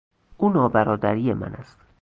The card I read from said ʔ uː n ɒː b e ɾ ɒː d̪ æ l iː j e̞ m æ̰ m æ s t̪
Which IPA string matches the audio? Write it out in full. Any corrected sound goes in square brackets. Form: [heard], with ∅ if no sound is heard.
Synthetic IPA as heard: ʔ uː n ɒː b [æ] ɾ ɒː d̪ æ [ɾ] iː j e̞ m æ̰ [n] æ s t̪